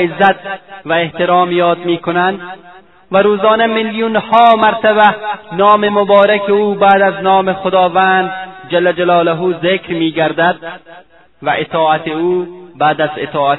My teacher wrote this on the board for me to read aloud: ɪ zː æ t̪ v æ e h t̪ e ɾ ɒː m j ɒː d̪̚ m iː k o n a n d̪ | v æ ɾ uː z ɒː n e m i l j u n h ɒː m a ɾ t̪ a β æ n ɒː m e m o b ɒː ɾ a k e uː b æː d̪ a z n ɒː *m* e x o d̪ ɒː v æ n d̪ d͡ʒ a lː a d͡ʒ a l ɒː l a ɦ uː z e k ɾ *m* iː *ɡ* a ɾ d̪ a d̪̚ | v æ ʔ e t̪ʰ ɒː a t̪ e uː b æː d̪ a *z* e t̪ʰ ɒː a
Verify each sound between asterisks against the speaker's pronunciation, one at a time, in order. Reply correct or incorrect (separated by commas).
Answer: correct, correct, correct, correct